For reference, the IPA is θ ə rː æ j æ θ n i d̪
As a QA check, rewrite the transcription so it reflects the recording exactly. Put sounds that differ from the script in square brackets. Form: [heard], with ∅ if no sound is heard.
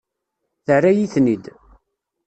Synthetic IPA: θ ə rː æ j [i] θ n i d̪

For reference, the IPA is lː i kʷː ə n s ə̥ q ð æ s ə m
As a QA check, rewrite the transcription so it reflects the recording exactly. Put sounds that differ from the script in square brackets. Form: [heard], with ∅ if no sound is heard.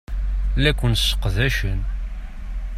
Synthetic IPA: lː [æ] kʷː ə n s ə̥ q ð æ [ʃ] ə [n]

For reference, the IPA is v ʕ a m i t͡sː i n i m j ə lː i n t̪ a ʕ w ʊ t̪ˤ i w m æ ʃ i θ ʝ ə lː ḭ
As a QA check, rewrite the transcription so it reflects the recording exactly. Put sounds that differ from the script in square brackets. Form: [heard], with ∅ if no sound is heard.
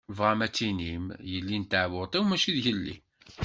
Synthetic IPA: v [ʁ] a m [æ] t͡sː i n i m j ə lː i n t̪ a ʕ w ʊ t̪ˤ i w m æ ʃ i [ð] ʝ ə lː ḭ

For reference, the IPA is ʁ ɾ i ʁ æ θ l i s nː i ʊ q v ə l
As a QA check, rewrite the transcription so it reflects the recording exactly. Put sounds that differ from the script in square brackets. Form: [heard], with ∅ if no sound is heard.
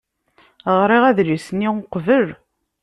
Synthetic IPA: ʁ ɾ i ʁ æ [ð] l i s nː i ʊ q v ə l

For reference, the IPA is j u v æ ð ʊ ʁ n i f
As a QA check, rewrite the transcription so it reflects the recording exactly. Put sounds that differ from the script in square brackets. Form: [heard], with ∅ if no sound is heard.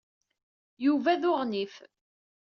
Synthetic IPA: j u v æ ð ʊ ʁ n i f

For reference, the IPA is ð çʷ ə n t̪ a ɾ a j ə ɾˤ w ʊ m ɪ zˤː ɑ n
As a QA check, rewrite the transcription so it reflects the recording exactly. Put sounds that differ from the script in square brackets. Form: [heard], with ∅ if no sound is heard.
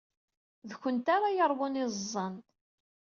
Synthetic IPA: ð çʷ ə n t̪ a ɾ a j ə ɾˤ w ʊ [n] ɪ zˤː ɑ n

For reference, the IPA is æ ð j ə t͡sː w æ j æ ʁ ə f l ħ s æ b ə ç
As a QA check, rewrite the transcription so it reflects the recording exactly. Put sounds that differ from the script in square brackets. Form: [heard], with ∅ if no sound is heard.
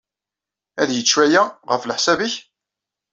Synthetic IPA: æ ð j ə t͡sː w æ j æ ʁ ə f l ħ s æ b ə ç

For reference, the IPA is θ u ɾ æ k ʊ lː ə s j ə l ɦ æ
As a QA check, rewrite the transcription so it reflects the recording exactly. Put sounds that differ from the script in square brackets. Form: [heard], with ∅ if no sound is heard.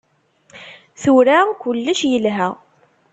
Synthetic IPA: θ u ɾ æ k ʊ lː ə [ʃ] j ə l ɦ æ

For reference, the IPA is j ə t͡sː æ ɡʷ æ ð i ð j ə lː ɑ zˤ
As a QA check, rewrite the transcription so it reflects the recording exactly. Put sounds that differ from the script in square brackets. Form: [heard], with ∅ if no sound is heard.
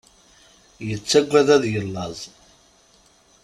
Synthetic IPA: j ə t͡sː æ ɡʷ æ ð [æ] ð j ə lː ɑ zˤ

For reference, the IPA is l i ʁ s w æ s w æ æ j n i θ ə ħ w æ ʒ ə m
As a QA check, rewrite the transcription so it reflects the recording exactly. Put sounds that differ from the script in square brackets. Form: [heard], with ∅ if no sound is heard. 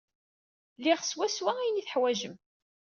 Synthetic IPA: l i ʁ s w æ s w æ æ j n i θ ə ħ w æ ʒ ə m

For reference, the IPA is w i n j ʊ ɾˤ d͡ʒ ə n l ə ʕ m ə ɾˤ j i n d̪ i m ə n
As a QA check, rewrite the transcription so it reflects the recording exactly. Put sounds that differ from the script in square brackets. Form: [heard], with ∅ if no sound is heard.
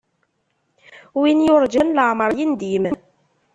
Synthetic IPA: w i n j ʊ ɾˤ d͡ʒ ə n l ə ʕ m ə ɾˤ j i n d̪ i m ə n

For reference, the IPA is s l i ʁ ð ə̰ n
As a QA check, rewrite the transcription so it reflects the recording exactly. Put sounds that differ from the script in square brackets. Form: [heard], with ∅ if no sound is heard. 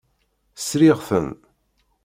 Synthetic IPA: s [ɾ] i ʁ [θ] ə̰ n

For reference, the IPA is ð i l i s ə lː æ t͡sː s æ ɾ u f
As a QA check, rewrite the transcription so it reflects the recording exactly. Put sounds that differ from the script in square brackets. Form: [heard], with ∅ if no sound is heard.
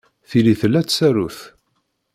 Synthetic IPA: [θ] i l i [θ] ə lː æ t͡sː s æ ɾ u [θ]

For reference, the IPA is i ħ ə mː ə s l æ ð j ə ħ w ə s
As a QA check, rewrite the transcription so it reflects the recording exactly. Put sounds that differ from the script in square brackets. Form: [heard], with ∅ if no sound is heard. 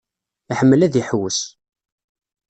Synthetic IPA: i ħ ə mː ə [∅] l æ ð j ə ħ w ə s

